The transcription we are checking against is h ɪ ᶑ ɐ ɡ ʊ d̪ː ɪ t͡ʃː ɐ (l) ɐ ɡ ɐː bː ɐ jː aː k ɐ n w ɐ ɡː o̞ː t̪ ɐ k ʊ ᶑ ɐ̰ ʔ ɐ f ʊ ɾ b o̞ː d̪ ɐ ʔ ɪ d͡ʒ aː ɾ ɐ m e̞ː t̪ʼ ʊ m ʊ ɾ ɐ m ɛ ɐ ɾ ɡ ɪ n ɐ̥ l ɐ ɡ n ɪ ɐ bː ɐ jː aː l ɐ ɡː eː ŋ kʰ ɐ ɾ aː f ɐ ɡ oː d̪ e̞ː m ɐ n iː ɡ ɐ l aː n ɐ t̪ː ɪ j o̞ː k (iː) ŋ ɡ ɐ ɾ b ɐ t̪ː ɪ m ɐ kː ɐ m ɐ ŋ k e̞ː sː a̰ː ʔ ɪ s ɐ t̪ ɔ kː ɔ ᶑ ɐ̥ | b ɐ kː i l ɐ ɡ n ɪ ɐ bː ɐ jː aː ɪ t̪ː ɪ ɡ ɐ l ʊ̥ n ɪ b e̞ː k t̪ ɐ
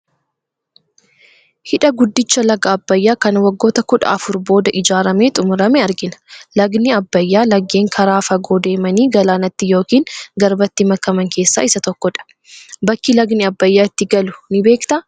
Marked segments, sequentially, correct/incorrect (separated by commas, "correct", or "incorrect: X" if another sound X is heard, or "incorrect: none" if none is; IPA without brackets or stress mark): correct, correct